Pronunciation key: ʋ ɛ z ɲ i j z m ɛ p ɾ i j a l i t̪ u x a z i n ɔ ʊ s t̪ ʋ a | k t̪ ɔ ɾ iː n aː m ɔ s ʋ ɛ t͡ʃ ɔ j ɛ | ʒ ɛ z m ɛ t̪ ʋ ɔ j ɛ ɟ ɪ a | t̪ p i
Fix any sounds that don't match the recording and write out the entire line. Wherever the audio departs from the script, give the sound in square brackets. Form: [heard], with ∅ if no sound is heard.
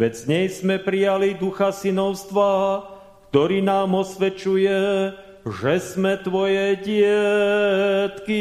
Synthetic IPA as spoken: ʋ ɛ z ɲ [ɛ] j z m ɛ p ɾ i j a l i [d̪] u x a [s] i n ɔ ʊ s t̪ ʋ a | k t̪ ɔ ɾ iː n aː m ɔ s ʋ ɛ t͡ʃ [u] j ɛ | ʒ ɛ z m ɛ t̪ ʋ ɔ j ɛ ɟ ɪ [ɛ] | t̪ [k] i